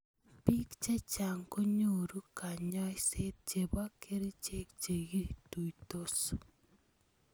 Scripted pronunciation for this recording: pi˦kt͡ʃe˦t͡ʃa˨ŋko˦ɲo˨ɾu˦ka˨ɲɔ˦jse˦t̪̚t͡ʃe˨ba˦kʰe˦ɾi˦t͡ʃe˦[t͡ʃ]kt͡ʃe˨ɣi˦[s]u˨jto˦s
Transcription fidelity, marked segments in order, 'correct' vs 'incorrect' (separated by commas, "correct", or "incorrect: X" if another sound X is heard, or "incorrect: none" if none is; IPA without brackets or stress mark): incorrect: none, incorrect: t